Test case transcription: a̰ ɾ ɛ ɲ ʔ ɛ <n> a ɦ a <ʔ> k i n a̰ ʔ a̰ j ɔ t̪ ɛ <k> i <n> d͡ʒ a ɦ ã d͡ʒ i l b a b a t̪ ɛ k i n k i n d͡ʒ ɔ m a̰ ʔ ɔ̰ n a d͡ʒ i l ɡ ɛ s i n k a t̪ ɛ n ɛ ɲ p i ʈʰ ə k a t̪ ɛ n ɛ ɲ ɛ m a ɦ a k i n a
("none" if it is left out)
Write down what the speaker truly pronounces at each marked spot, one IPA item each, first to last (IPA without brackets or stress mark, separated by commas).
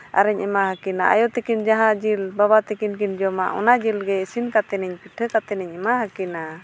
m, none, k, n